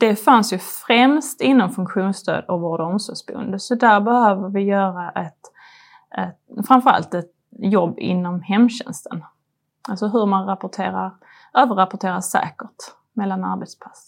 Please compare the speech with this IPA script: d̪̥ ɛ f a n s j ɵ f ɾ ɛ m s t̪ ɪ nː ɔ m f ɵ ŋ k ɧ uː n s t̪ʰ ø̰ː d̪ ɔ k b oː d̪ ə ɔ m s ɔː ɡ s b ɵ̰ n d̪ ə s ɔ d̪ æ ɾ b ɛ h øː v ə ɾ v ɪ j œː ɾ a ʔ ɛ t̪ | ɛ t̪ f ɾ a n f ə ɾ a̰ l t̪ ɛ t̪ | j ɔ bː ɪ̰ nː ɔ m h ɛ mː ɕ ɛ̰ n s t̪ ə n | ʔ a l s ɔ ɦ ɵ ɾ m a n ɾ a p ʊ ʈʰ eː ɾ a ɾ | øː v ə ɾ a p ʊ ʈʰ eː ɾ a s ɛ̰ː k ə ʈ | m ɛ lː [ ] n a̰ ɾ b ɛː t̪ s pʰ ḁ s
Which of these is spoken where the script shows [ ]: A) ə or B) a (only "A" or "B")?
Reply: B